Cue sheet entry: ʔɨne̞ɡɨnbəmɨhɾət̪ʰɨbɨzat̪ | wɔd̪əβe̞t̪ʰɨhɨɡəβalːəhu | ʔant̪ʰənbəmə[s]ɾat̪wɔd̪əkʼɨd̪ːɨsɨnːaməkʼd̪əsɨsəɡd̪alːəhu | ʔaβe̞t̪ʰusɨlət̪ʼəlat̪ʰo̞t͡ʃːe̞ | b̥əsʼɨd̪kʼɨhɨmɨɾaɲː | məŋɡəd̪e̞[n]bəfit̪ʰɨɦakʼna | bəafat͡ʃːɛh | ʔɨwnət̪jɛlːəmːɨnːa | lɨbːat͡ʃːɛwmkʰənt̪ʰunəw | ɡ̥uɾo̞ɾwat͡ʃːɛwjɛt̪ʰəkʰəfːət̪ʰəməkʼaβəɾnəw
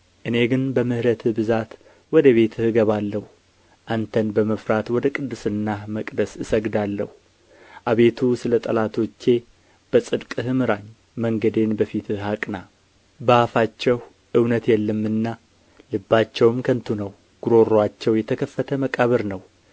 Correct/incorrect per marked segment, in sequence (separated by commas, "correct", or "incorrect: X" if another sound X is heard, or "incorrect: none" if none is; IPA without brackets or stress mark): incorrect: f, correct